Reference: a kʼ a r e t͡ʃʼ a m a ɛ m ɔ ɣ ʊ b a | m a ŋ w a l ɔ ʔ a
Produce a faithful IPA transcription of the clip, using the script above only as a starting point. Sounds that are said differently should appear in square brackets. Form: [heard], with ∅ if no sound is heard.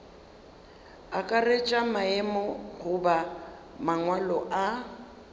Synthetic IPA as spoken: a kʼ a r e t͡ʃʼ a m a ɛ m ɔ ɣ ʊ b a | m a ŋ w a l ɔ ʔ a